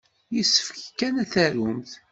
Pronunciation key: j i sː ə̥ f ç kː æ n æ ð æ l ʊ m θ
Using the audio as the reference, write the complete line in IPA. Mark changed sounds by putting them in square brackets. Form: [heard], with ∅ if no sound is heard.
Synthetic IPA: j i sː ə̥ f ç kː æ n æ [θ] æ [ɾ] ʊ m θ